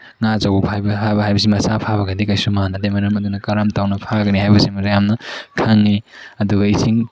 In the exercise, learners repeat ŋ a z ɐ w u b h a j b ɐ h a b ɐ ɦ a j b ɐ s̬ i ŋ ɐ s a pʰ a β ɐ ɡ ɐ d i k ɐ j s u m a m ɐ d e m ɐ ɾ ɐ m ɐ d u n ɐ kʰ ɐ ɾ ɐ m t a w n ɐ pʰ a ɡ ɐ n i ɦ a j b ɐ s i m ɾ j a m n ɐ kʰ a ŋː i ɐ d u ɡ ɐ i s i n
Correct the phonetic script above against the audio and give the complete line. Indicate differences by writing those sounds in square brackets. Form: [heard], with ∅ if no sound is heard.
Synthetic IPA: ŋ a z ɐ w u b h a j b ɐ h a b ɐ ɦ a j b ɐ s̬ i [m] ɐ s a pʰ a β ɐ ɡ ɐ d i k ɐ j s u m a [n] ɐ d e m ɐ ɾ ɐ m ɐ d u n ɐ [k] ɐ ɾ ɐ m t a w n ɐ pʰ a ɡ ɐ n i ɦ a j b ɐ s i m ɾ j a m n ɐ kʰ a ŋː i ɐ d u ɡ ɐ i s i [ŋ]